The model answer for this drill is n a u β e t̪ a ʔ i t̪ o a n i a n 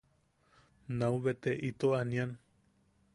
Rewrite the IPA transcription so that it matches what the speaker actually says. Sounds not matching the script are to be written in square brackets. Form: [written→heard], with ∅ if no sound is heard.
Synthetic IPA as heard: n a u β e t̪ [a→e] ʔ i t̪ o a n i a n